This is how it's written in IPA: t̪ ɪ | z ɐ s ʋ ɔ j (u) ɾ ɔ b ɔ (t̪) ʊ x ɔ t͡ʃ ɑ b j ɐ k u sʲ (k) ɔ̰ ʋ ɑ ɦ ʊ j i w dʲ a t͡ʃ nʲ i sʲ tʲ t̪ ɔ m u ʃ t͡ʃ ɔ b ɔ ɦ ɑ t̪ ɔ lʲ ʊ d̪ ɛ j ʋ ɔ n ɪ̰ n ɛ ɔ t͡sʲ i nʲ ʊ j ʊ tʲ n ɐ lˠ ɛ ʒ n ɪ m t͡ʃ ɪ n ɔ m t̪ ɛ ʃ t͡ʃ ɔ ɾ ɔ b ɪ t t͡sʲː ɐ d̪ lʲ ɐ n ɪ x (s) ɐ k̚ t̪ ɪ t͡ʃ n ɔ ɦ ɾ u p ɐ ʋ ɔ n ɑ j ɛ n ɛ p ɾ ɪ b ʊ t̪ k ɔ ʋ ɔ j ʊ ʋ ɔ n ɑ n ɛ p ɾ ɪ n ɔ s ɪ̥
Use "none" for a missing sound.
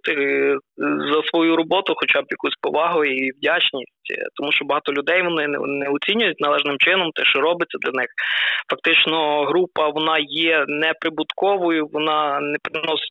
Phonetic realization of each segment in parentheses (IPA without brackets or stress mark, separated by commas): u, t̪, p, f